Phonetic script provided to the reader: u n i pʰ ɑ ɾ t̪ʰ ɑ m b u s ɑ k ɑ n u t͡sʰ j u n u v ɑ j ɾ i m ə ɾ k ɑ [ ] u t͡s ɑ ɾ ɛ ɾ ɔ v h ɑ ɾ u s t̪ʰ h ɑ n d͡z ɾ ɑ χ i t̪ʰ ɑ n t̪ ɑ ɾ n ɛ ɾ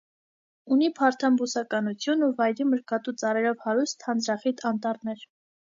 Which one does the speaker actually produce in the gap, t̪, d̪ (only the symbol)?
t̪